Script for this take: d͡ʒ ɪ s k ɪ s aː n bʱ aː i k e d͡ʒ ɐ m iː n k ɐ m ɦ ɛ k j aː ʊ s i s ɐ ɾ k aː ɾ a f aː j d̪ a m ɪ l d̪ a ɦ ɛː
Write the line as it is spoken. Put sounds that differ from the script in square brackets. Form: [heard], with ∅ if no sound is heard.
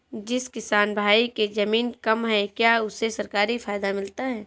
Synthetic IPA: d͡ʒ ɪ s k ɪ s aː n bʱ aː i k e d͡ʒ ɐ m iː n k ɐ m ɦ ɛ k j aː ʊ s [e] s ɐ ɾ k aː ɾ [i] f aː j d̪ a m ɪ l [t̪] a ɦ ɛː